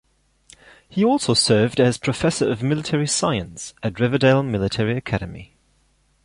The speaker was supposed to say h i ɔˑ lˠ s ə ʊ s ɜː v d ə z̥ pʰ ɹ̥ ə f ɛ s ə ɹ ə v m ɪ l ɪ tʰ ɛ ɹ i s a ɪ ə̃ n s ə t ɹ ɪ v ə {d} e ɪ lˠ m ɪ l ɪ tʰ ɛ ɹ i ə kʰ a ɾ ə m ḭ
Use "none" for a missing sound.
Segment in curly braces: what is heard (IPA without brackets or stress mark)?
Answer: d